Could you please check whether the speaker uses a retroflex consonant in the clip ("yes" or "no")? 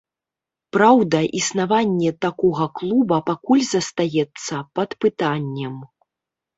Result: no